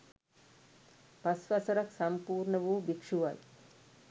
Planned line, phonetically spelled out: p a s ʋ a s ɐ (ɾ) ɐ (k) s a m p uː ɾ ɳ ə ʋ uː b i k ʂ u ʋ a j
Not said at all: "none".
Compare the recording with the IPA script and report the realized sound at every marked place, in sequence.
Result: ɾ, k

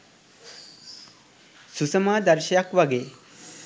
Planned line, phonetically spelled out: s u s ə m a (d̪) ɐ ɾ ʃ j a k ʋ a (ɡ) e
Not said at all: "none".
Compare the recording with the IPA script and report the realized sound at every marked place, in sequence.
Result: d̪, ɡ

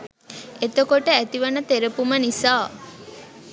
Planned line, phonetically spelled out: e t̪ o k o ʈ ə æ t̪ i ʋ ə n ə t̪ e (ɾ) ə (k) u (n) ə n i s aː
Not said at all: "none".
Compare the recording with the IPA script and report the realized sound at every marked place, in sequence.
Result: ɾ, p, m

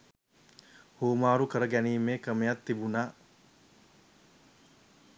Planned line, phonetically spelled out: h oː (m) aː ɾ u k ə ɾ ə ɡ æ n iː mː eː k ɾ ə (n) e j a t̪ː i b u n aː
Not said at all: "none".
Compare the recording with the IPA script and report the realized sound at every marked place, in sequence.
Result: m, m

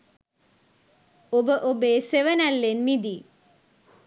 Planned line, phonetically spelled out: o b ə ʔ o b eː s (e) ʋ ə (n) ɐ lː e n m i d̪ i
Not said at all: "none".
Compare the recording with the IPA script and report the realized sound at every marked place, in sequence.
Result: e, n

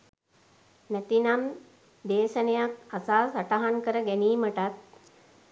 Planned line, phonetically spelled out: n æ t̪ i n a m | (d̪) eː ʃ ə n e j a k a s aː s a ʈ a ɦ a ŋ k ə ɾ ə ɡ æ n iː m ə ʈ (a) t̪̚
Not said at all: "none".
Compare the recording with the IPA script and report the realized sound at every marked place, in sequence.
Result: d̪, a

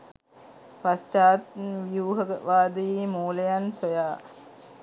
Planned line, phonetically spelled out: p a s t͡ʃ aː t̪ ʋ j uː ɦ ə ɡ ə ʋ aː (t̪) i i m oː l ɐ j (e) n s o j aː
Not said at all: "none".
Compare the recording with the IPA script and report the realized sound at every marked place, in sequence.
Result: d̪, a

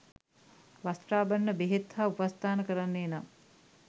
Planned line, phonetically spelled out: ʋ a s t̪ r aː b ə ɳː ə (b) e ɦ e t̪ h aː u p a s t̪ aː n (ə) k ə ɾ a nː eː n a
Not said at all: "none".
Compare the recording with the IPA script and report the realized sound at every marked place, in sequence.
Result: b, ə

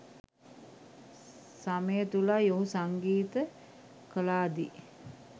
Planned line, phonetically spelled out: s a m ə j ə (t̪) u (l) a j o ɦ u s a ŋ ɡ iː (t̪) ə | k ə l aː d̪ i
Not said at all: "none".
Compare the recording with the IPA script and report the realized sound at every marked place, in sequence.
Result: t̪, l, t̪

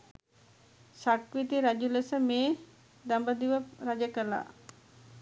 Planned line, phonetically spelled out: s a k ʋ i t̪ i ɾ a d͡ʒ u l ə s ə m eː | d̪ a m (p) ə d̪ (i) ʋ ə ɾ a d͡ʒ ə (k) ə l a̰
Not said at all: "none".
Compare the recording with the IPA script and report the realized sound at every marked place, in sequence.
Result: b, i, k

